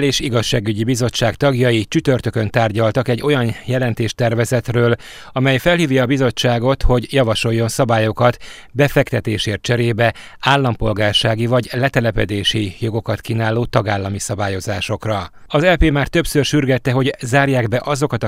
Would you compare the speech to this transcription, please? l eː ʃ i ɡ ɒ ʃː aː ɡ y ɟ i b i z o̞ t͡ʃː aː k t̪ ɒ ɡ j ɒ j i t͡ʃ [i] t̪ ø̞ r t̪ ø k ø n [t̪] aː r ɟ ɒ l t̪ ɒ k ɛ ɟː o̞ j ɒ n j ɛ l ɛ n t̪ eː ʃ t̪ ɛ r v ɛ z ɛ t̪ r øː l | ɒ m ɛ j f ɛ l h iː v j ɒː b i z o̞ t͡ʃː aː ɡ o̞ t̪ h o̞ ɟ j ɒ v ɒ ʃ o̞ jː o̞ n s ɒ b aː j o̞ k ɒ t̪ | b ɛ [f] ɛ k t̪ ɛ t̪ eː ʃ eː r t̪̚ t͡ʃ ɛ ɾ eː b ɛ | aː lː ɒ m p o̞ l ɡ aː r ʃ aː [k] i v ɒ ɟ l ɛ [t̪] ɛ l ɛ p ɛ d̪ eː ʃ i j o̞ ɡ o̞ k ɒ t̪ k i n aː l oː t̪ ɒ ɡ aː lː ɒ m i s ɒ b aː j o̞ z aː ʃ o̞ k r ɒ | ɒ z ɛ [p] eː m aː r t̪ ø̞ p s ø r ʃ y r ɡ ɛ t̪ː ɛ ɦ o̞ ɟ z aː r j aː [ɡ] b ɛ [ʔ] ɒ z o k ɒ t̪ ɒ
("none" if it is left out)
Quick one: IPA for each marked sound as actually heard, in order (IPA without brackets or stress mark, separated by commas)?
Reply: y, t̪, f, ɡ, t̪, p, ɡ, ʔ